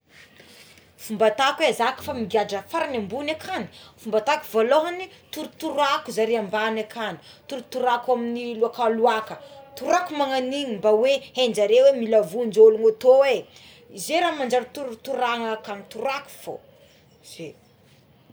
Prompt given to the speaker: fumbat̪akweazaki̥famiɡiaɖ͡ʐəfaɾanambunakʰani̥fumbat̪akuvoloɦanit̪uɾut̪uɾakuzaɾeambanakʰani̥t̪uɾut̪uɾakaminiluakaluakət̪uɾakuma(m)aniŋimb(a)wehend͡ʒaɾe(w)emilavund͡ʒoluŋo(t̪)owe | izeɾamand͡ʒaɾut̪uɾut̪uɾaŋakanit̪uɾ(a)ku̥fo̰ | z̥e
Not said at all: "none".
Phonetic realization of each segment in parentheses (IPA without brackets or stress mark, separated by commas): ŋ, a, w, t̪, a